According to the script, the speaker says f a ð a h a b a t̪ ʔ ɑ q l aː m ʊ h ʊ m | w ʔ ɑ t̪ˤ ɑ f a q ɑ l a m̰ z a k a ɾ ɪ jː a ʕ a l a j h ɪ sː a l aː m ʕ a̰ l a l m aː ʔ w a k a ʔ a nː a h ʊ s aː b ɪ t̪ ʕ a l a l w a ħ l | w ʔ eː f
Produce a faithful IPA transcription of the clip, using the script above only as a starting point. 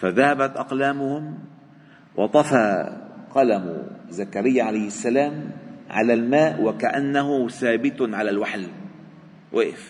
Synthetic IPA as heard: f a ð a h a b a t̪ ʔ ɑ q l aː m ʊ h ʊ m | w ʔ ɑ t̪ˤ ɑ f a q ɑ l a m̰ z a k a ɾ ɪ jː a ʕ a l a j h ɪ sː a l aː m ʕ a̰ l a l m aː ʔ w a k a ʔ a nː a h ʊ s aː b ɪ t̪ ʕ a l a l w a ħ l | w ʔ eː f